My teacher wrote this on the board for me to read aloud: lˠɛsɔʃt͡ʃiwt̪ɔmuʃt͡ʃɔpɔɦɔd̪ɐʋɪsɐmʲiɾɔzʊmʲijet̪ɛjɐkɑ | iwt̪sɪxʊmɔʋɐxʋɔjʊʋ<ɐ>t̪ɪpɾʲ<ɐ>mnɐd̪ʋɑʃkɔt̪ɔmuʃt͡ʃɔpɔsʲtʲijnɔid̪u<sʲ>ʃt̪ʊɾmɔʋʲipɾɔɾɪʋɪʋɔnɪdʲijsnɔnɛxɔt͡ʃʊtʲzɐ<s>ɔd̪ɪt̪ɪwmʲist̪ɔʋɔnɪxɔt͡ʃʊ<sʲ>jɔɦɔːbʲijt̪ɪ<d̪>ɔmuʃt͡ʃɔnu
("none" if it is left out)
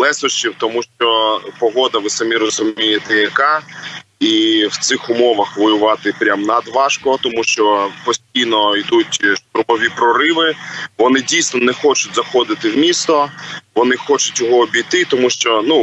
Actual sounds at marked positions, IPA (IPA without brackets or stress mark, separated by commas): ɑ, a, tʲ, x, tʲ, t̪